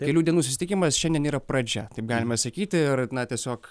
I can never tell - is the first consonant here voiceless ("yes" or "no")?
yes